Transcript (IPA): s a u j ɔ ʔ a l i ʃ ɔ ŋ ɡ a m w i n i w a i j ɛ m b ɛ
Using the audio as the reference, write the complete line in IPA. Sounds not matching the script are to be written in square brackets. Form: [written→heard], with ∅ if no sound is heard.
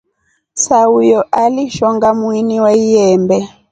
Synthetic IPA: s a u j ɔ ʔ a l i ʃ ɔ ŋ ɡ a m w i n i w a i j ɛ m b ɛ